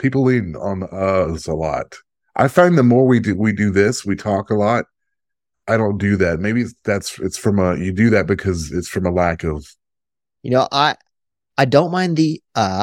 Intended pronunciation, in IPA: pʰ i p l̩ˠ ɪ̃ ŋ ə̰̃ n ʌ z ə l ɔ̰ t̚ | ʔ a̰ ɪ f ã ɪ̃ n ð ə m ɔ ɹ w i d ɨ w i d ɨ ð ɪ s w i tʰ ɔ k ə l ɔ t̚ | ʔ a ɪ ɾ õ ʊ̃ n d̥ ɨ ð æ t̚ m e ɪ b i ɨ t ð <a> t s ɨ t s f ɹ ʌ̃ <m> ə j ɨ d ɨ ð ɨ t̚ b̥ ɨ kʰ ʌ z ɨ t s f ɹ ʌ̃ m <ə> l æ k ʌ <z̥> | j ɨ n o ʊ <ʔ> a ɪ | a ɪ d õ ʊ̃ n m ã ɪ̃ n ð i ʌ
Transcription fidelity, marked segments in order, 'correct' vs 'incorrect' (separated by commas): incorrect, correct, correct, incorrect, correct